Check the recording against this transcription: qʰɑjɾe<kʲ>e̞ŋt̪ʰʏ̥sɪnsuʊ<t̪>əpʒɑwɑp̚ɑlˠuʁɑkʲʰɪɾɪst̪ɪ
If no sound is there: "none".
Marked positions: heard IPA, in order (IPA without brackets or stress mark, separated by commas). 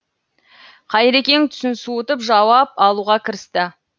kʲ, t̪